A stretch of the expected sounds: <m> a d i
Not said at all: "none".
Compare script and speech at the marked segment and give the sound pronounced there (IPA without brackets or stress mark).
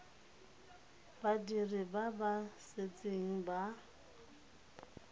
b